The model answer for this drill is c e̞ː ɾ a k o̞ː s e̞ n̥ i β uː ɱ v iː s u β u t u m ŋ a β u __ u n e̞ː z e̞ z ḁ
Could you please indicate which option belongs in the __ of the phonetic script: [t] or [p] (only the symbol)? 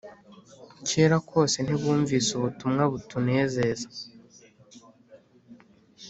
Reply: t